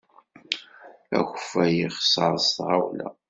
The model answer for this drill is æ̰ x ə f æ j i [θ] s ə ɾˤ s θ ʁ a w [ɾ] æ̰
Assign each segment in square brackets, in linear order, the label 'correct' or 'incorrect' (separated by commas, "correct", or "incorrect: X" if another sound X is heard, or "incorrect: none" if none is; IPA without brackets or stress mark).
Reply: incorrect: χ, incorrect: l